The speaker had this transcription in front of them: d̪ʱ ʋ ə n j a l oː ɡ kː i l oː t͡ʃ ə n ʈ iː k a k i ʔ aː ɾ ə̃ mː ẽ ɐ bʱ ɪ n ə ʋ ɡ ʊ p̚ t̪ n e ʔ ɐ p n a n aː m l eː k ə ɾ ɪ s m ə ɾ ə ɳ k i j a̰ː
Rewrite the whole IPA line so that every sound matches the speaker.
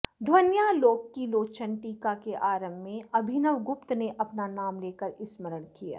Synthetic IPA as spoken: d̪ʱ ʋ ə n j a l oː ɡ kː i l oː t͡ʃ ə n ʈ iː k a k e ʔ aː ɾ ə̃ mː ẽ ɐ bʱ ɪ n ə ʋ ɡ ʊ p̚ t̪ n e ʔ ɐ p n a n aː m l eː k ə ɾ ɪ s m ə ɾ ə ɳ k i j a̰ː